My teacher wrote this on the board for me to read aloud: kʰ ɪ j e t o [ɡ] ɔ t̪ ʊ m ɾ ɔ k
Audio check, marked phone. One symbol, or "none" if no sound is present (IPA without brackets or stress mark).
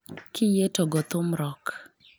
ɡ